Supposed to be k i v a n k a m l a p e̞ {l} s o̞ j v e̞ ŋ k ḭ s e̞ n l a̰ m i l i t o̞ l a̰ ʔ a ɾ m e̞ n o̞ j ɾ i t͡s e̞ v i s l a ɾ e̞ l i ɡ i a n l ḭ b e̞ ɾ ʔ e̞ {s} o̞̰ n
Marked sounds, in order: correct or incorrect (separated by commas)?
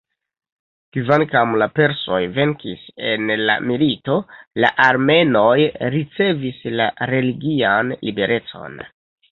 incorrect, incorrect